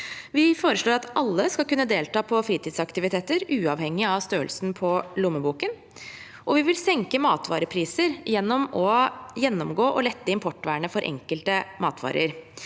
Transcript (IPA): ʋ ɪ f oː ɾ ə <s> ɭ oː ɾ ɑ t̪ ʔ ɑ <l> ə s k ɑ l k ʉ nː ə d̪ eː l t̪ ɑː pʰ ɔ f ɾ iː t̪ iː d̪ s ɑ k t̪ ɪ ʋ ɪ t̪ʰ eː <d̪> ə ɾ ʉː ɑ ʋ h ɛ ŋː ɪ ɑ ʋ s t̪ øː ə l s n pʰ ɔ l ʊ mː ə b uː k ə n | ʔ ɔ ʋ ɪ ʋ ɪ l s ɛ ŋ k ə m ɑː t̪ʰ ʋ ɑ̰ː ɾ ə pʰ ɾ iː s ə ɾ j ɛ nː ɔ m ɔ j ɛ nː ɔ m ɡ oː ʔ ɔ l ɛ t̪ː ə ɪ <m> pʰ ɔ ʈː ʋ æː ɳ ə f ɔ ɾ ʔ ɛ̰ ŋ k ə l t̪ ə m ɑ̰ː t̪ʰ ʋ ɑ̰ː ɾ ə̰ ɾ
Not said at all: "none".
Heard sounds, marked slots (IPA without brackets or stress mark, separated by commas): ʂ, lː, t̪, m